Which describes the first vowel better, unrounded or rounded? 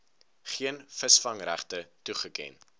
unrounded